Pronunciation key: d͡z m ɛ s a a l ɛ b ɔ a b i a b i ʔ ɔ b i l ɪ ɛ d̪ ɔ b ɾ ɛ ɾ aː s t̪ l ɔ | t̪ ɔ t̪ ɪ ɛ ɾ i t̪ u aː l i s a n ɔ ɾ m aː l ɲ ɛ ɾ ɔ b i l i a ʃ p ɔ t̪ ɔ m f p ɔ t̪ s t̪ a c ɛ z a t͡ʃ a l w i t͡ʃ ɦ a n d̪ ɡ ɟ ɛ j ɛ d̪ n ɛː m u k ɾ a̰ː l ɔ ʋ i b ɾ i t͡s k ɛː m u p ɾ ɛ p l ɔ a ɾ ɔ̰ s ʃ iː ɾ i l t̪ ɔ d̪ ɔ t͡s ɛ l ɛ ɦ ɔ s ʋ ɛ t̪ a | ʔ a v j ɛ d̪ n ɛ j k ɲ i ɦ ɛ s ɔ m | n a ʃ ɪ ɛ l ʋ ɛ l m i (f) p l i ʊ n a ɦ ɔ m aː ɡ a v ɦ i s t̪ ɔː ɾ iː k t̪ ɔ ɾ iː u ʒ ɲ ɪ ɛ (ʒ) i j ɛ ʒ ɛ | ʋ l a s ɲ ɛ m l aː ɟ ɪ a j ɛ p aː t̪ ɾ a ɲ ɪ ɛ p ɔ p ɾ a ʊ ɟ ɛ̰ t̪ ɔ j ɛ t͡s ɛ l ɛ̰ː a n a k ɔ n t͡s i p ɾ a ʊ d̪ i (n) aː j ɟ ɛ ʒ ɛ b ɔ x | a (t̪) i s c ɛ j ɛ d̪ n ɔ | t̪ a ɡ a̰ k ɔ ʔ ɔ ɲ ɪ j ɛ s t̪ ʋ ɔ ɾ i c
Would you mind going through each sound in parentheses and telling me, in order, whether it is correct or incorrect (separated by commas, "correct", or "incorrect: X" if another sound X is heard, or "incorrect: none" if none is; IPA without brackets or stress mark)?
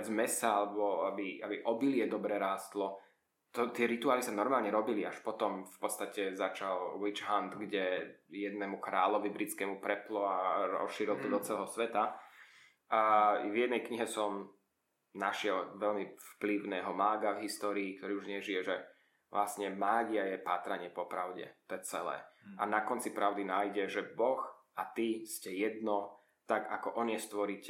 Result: correct, correct, correct, correct